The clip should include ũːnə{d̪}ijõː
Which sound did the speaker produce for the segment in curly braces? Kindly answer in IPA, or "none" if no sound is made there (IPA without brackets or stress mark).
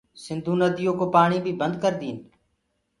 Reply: d̪